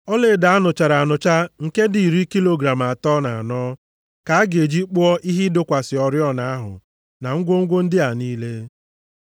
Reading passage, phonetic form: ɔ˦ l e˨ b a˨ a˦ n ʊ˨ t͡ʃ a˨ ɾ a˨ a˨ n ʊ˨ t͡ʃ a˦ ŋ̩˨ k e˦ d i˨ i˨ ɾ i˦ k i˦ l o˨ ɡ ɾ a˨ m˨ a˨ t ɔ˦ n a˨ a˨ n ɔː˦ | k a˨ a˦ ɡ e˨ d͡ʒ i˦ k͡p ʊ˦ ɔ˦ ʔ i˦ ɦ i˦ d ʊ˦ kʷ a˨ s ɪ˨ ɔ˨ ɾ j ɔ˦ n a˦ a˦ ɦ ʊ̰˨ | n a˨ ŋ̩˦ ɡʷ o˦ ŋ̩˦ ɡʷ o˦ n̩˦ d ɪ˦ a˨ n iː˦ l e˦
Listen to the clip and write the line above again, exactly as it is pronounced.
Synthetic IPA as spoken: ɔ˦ l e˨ d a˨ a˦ n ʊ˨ t͡ʃ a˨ ɾ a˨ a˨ n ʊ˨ t͡ʃ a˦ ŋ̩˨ k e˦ d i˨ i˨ ɾ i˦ k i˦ l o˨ ɡ ɾ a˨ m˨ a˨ t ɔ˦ n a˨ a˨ n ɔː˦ | k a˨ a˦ ɡ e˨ d͡ʒ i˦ k͡p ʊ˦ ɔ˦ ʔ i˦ ɦ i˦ d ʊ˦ kʷ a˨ s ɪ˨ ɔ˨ ɾ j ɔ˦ n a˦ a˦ ɦ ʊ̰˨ | n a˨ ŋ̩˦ ɡʷ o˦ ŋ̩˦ ɡʷ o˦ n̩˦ d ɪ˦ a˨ n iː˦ l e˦